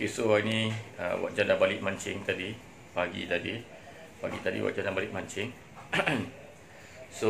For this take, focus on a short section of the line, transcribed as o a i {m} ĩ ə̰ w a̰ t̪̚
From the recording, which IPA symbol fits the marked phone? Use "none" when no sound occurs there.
n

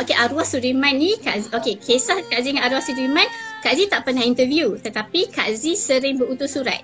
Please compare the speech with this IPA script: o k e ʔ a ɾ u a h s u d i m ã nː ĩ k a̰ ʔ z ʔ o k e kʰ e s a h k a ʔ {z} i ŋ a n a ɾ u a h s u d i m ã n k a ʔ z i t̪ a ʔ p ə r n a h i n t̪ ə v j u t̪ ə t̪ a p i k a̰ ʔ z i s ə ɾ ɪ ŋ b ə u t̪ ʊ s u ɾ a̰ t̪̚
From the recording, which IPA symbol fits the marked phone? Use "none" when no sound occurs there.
z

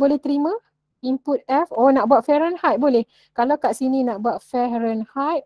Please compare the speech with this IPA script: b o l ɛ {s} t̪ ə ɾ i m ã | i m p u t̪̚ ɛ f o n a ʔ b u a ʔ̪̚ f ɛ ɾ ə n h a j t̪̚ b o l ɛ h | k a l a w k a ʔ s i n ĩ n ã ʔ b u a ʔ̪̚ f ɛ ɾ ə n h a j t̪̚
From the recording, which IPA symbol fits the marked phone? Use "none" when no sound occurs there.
h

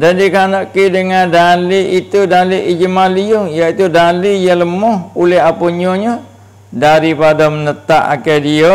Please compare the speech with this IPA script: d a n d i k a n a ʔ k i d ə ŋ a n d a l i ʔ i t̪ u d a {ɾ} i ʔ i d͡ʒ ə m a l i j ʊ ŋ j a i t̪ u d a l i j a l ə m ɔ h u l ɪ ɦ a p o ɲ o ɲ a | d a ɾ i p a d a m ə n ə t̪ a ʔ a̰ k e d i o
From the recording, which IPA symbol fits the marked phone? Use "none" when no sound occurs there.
l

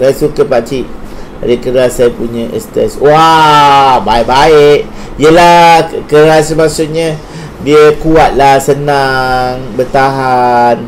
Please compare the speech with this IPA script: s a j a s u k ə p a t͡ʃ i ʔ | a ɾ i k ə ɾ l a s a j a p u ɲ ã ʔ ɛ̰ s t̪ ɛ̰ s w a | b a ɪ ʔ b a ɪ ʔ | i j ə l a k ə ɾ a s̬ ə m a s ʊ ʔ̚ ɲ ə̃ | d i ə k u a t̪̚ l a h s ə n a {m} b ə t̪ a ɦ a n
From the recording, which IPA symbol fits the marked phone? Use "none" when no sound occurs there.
ŋ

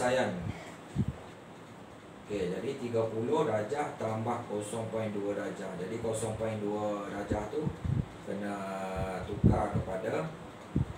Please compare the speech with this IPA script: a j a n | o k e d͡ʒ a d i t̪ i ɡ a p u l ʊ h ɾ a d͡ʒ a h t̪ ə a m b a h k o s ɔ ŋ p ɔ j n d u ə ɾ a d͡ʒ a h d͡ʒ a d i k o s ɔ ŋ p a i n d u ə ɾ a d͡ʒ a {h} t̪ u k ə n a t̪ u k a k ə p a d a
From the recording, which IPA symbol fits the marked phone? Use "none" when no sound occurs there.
h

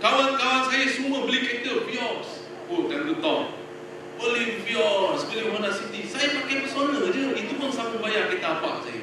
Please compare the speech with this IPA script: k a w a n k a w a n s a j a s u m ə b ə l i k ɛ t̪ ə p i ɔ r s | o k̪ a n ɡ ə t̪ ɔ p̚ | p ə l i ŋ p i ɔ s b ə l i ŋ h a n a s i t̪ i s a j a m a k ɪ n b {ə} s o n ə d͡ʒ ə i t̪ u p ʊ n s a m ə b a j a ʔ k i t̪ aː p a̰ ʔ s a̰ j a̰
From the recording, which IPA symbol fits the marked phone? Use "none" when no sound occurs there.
ə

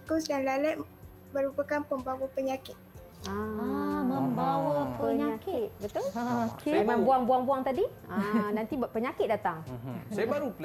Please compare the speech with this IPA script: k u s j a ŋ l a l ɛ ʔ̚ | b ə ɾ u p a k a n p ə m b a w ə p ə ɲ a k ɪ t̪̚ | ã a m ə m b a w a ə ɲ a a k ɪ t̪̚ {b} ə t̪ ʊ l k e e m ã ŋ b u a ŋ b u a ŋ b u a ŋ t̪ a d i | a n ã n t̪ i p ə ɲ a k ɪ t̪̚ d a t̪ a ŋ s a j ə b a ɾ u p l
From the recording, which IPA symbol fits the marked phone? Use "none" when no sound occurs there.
b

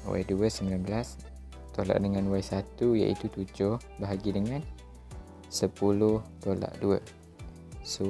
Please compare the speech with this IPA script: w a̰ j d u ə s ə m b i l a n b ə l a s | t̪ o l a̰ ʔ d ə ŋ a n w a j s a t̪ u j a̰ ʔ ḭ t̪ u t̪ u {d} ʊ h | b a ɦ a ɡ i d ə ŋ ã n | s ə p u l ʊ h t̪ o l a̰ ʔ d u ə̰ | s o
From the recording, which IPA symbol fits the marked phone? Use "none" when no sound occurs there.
d͡ʒ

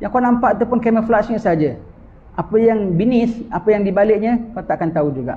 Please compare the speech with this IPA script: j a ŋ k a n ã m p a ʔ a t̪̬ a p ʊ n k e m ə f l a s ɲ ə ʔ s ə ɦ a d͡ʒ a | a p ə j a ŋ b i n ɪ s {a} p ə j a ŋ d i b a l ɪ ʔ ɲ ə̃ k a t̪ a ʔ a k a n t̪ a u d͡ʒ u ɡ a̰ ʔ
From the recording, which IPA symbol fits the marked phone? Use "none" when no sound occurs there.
a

